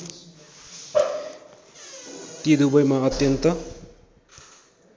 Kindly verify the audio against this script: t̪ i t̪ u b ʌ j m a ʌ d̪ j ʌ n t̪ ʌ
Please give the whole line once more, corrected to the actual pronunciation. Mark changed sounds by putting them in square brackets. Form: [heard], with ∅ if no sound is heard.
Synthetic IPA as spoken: t̪ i [d̪] u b ʌ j m a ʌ [t̪] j ʌ n t̪ ʌ